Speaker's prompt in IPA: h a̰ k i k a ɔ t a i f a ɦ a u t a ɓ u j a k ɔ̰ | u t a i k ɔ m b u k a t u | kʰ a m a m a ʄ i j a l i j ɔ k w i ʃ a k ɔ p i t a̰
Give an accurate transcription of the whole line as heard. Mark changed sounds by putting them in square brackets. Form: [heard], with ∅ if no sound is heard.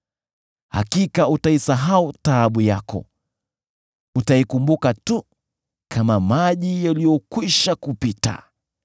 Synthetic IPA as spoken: h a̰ k i k a [u] t a i [s] a ɦ a u t a ɓ u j a k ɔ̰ | u t a i k [u] m b u k a t u | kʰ a m a m a ʄ i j a l i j ɔ k w i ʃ a k [u] p i t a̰

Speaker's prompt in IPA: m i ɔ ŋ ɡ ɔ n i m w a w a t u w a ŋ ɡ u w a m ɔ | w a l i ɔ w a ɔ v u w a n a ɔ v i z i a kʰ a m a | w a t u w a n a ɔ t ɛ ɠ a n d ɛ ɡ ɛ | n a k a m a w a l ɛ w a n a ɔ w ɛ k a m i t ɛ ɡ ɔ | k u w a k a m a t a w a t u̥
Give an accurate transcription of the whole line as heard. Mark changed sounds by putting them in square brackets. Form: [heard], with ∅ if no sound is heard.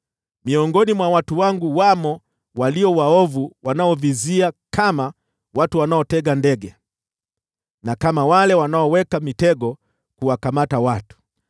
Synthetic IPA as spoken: m i ɔ ŋ ɡ ɔ n i m w a w a t u w a ŋ ɡ u w a m ɔ | w a l i ɔ w a ɔ v u w a n a ɔ v i z i a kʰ a m a | w a t u w a n a ɔ t ɛ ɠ a n d ɛ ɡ ɛ | n a k a m a w a l ɛ w a n a ɔ w ɛ k a m i t ɛ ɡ ɔ | k u w a k a m a t a w a t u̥

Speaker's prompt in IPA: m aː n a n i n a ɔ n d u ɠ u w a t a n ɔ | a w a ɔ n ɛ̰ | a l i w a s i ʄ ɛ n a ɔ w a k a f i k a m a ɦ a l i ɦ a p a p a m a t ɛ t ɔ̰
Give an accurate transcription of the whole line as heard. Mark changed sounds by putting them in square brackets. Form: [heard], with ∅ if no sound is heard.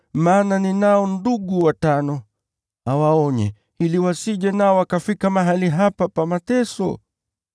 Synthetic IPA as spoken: m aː n a n i n a ɔ n d u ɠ u w a t a n ɔ | a w a ɔ [ɲ] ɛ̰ | [i] l i w a s i ʄ ɛ n a ɔ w a k a f i k a m a ɦ a l i ɦ a p a p a m a t ɛ [s] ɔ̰

